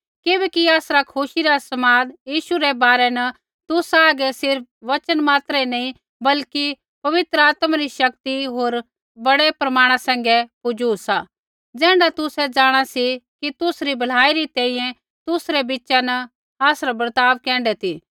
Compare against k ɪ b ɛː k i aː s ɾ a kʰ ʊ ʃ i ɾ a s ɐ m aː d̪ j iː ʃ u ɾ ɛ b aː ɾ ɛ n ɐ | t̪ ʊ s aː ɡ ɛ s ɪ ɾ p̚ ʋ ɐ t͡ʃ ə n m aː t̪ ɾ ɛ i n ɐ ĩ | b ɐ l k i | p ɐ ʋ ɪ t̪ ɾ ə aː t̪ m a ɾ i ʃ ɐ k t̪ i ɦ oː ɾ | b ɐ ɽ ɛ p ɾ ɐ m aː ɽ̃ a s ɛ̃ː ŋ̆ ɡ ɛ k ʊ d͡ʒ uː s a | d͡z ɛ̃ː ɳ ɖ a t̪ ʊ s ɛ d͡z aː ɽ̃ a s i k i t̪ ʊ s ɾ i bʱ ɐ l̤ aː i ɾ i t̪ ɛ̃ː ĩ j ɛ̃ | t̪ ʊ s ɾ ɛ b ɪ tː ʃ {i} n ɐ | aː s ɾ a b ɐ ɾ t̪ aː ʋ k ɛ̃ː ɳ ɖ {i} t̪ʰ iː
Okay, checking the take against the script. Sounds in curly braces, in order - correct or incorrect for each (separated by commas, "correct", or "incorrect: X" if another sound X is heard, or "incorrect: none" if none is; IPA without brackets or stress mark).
incorrect: a, incorrect: ɛ